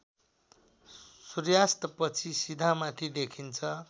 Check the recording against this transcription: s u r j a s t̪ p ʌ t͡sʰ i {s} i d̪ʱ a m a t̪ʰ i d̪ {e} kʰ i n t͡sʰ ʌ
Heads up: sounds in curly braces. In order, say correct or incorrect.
correct, correct

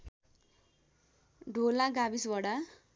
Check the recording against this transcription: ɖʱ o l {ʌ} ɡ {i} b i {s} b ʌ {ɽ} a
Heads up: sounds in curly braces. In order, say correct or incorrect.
incorrect, incorrect, correct, correct

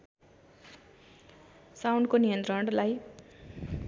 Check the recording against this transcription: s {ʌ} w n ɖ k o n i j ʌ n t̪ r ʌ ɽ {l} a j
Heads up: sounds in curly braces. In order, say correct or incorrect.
incorrect, correct

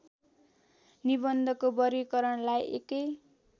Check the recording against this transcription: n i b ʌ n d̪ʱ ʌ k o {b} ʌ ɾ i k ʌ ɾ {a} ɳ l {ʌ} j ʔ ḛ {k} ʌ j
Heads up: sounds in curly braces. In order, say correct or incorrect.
correct, incorrect, incorrect, correct

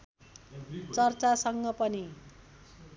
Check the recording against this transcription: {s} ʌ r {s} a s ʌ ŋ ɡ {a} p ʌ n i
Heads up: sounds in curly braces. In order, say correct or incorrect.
incorrect, incorrect, incorrect

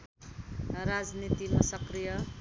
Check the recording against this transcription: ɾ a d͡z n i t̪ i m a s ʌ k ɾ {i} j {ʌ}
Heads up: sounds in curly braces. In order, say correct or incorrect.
correct, correct

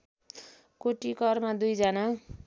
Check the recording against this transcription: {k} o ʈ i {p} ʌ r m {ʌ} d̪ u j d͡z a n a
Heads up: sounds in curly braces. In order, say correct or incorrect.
correct, incorrect, incorrect

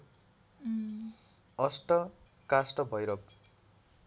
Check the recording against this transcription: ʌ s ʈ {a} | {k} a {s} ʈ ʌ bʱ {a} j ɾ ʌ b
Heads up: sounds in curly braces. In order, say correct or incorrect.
incorrect, correct, correct, incorrect

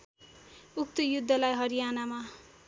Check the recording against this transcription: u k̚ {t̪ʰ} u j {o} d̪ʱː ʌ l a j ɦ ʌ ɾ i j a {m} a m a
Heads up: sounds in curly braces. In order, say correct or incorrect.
incorrect, incorrect, incorrect

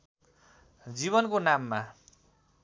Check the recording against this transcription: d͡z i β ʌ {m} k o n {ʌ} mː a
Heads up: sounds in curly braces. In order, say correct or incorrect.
incorrect, incorrect

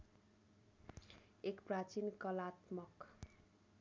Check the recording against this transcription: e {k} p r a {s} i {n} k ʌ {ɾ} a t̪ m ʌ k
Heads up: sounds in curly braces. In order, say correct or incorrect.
correct, incorrect, correct, incorrect

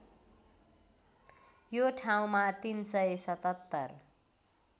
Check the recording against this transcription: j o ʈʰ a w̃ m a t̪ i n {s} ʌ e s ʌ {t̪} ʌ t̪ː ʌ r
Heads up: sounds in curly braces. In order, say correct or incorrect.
correct, correct

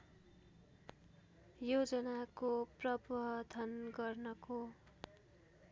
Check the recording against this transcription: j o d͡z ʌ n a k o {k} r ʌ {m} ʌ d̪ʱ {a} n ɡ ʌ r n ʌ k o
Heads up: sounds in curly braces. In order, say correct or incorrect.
incorrect, incorrect, incorrect

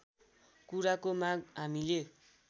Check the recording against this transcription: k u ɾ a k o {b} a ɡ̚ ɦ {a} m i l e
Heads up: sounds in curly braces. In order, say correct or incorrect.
incorrect, correct

